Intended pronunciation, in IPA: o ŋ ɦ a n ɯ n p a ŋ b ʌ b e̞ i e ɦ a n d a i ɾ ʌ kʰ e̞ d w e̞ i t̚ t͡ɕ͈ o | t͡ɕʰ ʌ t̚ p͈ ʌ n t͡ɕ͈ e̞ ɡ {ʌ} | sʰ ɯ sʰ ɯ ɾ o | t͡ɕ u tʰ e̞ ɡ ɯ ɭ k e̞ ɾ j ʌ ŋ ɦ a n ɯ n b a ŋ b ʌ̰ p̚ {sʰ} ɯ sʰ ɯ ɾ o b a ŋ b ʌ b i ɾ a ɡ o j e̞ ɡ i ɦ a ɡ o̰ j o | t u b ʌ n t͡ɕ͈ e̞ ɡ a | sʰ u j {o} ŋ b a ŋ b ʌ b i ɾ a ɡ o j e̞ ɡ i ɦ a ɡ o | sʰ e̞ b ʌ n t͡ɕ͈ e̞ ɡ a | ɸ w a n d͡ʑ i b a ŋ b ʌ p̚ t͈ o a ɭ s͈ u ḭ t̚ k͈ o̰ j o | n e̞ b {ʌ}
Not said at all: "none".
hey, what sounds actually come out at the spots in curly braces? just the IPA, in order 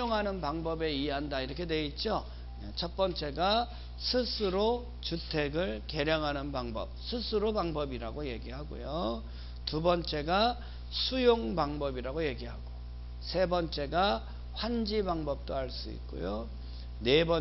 a, sʰ, o, ʌ

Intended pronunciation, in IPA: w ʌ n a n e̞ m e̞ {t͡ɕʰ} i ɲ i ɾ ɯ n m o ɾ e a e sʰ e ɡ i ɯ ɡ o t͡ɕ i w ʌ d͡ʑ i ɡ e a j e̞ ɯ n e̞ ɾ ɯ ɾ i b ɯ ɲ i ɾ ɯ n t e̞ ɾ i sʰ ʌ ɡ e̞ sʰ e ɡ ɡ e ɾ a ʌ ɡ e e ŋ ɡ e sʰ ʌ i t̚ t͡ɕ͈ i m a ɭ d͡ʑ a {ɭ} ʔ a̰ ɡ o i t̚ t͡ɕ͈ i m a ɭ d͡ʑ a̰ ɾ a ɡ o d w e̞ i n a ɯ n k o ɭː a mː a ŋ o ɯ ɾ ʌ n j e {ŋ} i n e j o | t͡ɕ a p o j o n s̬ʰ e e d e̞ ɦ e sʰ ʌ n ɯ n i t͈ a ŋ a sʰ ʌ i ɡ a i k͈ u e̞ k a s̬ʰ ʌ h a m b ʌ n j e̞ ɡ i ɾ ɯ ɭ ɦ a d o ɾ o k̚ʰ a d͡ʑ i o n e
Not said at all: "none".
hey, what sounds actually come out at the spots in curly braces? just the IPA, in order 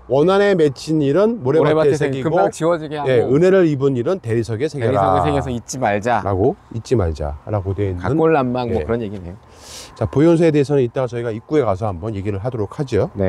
t͡ɕʰ, ɾ, ɡ

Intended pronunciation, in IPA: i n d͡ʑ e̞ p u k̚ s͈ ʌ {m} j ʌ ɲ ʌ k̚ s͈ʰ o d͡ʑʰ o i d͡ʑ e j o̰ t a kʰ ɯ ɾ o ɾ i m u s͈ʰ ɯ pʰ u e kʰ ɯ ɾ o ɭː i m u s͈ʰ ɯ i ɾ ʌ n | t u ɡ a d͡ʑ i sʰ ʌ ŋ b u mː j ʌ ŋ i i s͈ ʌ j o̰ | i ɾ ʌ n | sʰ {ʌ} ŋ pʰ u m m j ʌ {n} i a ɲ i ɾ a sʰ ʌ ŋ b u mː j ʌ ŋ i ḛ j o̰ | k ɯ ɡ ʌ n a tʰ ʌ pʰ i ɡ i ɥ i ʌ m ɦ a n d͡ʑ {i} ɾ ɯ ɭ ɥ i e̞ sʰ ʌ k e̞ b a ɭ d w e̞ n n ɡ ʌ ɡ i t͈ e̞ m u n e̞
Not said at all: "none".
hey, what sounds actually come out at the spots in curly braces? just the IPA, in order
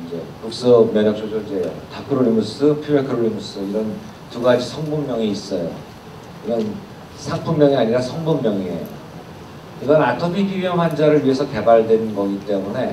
m, a, ŋ, a

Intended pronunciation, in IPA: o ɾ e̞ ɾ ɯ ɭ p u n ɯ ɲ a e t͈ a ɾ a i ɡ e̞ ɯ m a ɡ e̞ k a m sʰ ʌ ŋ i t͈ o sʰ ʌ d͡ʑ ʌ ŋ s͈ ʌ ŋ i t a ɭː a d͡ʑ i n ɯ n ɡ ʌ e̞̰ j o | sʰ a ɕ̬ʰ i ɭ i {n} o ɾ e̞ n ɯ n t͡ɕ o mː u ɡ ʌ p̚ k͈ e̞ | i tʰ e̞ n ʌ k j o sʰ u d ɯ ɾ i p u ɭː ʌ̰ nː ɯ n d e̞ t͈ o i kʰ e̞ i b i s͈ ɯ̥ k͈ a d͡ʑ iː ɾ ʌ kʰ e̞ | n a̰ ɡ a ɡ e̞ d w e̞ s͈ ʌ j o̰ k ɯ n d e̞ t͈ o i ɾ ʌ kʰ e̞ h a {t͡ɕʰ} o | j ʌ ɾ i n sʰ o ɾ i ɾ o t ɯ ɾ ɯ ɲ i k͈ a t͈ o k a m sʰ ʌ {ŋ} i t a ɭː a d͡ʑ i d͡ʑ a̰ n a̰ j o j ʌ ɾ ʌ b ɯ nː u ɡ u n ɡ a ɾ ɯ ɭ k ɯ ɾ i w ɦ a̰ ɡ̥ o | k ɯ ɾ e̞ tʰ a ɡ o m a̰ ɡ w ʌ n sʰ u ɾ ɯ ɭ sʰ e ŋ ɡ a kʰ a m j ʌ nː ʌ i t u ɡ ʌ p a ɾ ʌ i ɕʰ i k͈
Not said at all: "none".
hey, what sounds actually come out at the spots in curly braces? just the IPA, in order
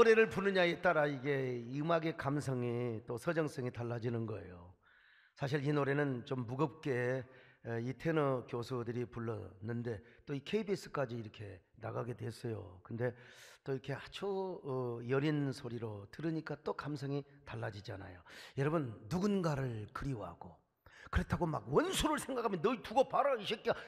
n, t͡ɕʰ, ŋ

